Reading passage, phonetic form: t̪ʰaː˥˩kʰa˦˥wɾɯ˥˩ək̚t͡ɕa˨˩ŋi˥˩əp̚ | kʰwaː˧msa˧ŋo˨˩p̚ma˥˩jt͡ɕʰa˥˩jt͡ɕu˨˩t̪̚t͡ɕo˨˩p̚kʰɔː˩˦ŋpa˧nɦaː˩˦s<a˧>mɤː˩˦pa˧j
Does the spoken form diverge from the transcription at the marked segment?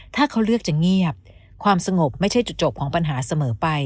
no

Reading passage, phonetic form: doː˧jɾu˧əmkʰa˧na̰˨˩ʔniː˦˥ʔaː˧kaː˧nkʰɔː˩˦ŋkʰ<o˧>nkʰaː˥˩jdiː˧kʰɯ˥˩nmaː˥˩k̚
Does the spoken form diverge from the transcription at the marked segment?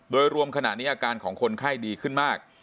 no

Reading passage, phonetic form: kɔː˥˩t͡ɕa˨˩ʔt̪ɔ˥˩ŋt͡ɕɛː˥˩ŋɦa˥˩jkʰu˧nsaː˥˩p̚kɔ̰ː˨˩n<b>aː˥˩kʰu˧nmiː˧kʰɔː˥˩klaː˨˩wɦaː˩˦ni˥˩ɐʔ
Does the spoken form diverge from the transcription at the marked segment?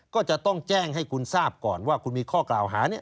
yes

